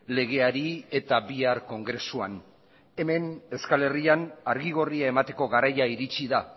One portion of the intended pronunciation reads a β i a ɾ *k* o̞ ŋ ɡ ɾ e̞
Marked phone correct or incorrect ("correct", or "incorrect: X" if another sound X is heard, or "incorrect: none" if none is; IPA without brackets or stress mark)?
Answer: correct